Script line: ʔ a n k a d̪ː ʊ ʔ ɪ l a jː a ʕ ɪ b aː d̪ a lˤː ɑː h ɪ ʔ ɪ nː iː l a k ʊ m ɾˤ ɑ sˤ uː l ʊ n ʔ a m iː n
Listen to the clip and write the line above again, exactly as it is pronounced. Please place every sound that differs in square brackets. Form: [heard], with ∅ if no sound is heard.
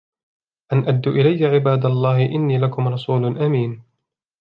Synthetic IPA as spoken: ʔ a n [ʔ] a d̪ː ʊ ʔ ɪ l a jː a ʕ ɪ b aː d̪ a lˤː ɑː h ɪ ʔ ɪ nː iː l a k ʊ m ɾˤ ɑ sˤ uː l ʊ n ʔ a m iː n